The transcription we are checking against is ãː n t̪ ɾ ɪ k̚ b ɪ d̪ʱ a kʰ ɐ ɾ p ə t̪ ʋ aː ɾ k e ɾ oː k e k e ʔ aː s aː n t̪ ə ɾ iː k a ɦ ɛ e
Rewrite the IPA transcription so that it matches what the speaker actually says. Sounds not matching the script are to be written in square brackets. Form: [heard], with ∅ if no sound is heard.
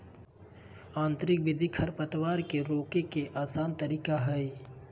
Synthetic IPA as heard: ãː n t̪ ɾ ɪ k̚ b ɪ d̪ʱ [i] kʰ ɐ ɾ p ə t̪ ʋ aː ɾ k e ɾ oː k e k e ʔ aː s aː n t̪ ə ɾ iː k a ɦ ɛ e